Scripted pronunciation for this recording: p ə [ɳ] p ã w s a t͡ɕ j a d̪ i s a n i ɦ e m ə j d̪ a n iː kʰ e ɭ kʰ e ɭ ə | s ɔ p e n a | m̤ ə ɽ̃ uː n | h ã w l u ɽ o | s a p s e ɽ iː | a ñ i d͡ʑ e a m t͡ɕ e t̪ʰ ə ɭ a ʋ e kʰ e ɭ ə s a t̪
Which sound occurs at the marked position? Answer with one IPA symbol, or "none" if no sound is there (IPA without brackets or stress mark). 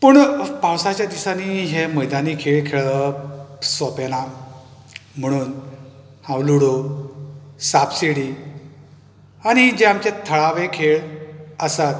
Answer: ɳ